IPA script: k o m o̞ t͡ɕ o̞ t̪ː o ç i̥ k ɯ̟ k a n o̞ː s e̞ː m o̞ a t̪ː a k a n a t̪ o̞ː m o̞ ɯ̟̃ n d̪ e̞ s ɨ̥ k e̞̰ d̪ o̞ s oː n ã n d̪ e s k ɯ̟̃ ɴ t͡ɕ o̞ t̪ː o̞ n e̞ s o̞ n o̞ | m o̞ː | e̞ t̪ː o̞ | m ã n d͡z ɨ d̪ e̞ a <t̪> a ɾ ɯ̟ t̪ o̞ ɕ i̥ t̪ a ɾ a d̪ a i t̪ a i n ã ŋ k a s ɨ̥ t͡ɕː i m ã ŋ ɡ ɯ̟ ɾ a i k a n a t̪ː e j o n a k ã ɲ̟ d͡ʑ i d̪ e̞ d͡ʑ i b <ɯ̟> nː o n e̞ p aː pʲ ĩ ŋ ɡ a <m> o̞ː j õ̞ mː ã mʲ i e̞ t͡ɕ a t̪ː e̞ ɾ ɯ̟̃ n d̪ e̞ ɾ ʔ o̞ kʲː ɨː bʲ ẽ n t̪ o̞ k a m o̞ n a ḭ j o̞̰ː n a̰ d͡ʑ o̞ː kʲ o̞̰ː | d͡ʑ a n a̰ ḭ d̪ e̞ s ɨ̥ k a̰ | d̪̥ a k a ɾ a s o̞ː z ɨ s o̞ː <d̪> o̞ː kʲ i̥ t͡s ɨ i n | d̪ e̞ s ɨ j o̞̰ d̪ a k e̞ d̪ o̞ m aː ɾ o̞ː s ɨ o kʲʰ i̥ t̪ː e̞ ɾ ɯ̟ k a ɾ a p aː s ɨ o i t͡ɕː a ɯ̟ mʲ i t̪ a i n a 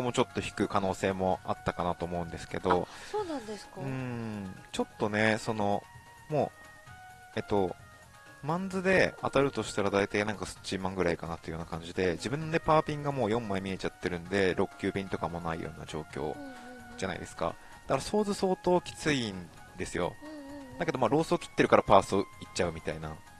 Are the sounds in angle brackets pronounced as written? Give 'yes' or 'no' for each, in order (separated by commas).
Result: yes, no, yes, no